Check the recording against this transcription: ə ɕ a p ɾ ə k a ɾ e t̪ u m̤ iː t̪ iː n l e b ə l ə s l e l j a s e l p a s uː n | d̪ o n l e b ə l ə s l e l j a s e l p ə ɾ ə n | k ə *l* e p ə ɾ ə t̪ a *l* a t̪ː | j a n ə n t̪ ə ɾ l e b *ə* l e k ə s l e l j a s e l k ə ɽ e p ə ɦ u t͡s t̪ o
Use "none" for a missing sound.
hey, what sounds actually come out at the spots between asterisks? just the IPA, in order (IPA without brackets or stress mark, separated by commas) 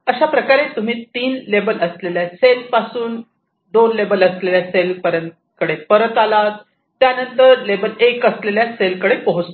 ɽ, l, ə